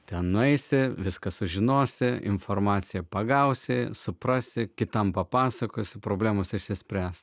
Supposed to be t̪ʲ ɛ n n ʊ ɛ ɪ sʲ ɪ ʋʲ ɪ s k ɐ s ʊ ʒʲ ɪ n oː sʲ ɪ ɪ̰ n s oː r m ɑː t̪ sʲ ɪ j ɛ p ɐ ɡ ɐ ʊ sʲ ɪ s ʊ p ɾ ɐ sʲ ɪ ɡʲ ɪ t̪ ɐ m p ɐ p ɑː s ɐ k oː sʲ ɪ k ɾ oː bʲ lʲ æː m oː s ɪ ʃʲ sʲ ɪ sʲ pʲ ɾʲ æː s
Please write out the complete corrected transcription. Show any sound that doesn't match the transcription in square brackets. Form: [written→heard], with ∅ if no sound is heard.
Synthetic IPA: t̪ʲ ɛ n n ʊ ɛ ɪ sʲ ɪ ʋʲ ɪ s k ɐ s ʊ ʒʲ ɪ n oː sʲ ɪ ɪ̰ n [s→f] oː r m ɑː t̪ sʲ ɪ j ɛ p ɐ ɡ ɐ ʊ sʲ ɪ s ʊ p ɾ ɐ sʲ ɪ [ɡʲ→kʲ] ɪ t̪ ɐ m p ɐ p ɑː s ɐ k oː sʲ ɪ [k→p] ɾ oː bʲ lʲ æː m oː s ɪ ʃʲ sʲ ɪ sʲ pʲ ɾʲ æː s

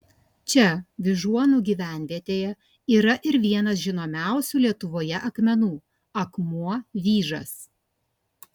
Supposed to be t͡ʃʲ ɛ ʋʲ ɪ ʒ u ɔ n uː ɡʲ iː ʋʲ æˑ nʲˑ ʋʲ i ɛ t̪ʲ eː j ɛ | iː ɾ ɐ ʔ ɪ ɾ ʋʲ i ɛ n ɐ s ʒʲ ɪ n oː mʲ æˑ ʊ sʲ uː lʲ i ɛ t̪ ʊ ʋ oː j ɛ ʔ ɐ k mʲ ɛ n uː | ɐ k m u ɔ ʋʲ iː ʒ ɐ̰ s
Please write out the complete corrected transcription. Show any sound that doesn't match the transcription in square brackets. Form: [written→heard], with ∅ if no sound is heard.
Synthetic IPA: t͡ʃʲ ɛ ʋʲ ɪ ʒ u ɔ n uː ɡʲ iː ʋʲ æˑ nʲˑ ʋʲ i ɛ t̪ʲ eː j ɛ | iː ɾ ɐ ʔ ɪ ɾ ʋʲ i ɛ n ɐ s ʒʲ ɪ n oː mʲ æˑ ʊ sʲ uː lʲ i ɛ t̪ ʊ ʋ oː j ɛ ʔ ɐ k mʲ ɛ n uː | ɐ k m u ɔ ʋʲ iː ʒ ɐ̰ s

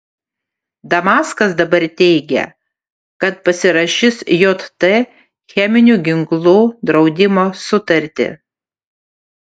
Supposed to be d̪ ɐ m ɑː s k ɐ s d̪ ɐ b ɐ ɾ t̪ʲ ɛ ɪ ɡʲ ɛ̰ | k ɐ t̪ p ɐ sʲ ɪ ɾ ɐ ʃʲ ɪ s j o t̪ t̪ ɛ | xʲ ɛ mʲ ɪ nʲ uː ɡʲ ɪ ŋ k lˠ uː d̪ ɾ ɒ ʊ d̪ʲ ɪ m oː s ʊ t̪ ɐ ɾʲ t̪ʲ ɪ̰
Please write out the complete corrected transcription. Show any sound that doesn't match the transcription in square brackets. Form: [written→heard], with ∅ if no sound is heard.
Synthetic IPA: d̪ ɐ m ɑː s k ɐ s d̪ ɐ b ɐ ɾ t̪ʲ ɛ ɪ ɡʲ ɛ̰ | k ɐ t̪ p ɐ sʲ ɪ ɾ ɐ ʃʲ ɪ s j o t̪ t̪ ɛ | xʲ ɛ mʲ ɪ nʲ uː ɡʲ ɪ ŋ k lˠ uː d̪ ɾ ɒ ʊ d̪ʲ ɪ m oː s ʊ t̪ ɐ ɾʲ t̪ʲ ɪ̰

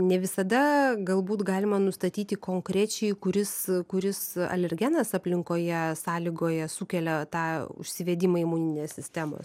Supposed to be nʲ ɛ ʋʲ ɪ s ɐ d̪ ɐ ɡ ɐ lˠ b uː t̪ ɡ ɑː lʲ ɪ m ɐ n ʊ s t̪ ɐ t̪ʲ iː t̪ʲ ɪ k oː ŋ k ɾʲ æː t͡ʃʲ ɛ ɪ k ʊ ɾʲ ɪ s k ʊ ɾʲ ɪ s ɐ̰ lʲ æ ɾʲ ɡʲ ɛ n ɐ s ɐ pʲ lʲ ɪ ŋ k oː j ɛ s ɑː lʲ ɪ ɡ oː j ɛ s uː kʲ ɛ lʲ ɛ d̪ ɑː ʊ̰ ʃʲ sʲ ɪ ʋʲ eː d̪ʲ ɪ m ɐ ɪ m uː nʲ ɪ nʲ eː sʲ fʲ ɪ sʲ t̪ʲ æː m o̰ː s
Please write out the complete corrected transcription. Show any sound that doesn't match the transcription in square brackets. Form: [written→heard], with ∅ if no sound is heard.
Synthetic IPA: nʲ ɛ ʋʲ ɪ s ɐ d̪ ɐ ɡ ɐ lˠ b uː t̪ ɡ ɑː lʲ ɪ m ɐ n ʊ s t̪ ɐ t̪ʲ iː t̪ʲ ɪ k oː ŋ k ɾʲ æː t͡ʃʲ ɛ ɪ k ʊ ɾʲ ɪ s k ʊ ɾʲ ɪ s ɐ̰ lʲ [æ→ɛ] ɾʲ ɡʲ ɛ n ɐ s ɐ pʲ lʲ ɪ ŋ k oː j ɛ s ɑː lʲ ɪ ɡ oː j ɛ s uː kʲ ɛ lʲ ɛ [d̪→t̪] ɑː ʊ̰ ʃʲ sʲ ɪ ʋʲ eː d̪ʲ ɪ m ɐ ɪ m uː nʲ ɪ nʲ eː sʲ [fʲ→sʲ] ɪ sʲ t̪ʲ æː m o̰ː s

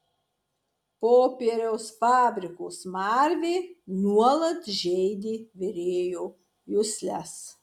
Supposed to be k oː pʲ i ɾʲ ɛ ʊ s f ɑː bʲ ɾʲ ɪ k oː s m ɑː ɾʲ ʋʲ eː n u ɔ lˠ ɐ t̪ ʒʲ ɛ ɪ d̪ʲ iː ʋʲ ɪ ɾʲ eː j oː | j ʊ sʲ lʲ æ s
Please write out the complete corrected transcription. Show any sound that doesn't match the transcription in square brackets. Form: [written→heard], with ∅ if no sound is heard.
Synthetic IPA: [k→p] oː pʲ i ɾʲ ɛ ʊ s f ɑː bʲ ɾʲ ɪ k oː s m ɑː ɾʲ ʋʲ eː n u ɔ lˠ ɐ t̪ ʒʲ ɛ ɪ d̪ʲ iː ʋʲ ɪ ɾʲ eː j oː | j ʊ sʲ lʲ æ s

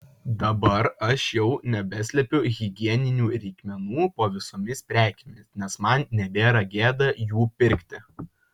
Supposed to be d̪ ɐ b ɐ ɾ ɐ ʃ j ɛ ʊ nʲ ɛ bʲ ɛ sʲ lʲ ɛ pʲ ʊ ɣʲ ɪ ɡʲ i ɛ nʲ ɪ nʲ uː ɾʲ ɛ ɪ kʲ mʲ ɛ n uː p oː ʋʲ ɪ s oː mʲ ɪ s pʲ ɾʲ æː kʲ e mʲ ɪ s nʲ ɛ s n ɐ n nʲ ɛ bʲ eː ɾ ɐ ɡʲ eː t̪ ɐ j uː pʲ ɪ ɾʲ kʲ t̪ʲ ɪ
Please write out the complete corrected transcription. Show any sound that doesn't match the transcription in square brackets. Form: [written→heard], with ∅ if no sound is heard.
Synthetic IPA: d̪ ɐ b ɐ ɾ ɐ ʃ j ɛ ʊ nʲ ɛ bʲ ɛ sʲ lʲ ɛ pʲ ʊ ɣʲ ɪ ɡʲ i ɛ nʲ ɪ nʲ uː ɾʲ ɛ ɪ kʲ mʲ ɛ n uː p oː ʋʲ ɪ s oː mʲ ɪ s pʲ ɾʲ æː kʲ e mʲ ɪ s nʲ ɛ s [n→m] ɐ n nʲ ɛ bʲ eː ɾ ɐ ɡʲ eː [t̪→d̪] ɐ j uː pʲ ɪ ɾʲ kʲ t̪ʲ ɪ

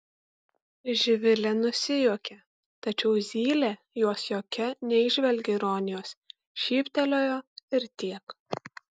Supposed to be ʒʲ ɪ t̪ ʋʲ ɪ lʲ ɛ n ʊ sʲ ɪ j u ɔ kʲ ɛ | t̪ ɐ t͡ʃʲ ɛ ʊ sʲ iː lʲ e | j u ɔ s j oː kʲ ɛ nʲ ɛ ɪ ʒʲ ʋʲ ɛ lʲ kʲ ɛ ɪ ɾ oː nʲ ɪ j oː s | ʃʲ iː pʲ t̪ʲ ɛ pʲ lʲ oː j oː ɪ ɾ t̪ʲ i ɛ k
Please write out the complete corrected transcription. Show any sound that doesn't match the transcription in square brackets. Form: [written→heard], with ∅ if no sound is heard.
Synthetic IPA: ʒʲ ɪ [t̪→∅] ʋʲ ɪ lʲ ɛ n ʊ sʲ ɪ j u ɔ kʲ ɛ | t̪ ɐ t͡ʃʲ ɛ ʊ [sʲ→zʲ] iː lʲ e | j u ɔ s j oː kʲ ɛ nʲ ɛ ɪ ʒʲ ʋʲ ɛ lʲ [kʲ→ɡʲ] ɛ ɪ ɾ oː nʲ ɪ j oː s | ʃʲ iː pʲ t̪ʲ ɛ [pʲ→∅] lʲ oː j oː ɪ ɾ t̪ʲ i ɛ k

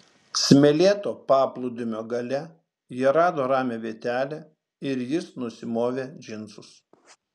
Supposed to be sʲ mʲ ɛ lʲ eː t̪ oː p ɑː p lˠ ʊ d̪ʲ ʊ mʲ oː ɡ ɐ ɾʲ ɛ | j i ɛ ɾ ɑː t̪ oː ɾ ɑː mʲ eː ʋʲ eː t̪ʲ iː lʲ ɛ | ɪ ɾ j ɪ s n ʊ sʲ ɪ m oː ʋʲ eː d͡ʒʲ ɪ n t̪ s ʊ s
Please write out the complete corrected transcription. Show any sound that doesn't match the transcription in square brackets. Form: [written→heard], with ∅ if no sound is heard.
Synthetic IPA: sʲ mʲ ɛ lʲ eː t̪ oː p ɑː p lˠ ʊ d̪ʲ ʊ mʲ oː ɡ ɐ [ɾʲ→lʲ] ɛ | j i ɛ ɾ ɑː [t̪→d̪] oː ɾ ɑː mʲ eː ʋʲ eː t̪ʲ [iː→æː] lʲ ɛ | ɪ ɾ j ɪ s n ʊ sʲ ɪ m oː ʋʲ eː d͡ʒʲ ɪ n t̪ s ʊ s

